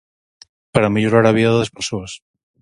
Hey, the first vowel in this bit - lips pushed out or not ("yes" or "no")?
no